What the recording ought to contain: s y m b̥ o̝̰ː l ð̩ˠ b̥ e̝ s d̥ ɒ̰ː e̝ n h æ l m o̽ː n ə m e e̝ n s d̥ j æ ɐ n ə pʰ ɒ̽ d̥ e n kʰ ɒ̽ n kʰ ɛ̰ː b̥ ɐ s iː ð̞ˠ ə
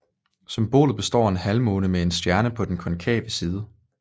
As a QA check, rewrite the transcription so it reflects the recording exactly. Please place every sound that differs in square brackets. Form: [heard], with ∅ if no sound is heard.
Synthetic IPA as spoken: s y m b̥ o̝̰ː l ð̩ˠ b̥ e̝ s d̥ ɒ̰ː e̝ n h æ l m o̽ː n ə m e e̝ n s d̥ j æ ɐ n ə pʰ ɒ̽ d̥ e n kʰ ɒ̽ n kʰ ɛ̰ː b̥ [ə] s iː ð̞ˠ ə